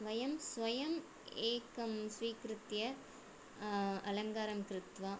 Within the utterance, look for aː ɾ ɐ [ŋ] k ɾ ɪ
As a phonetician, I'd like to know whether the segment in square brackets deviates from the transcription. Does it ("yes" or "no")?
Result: yes